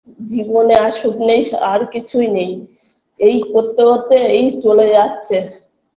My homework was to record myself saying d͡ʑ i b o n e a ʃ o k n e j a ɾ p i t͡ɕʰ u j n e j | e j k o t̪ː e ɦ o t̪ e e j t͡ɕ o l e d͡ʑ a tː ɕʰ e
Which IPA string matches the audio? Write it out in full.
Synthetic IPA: d͡ʑ i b o n e a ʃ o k n e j a ɾ k i t͡ɕʰ u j n e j | e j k o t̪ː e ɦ o t̪ e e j t͡ɕ o l e d͡ʑ a tː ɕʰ e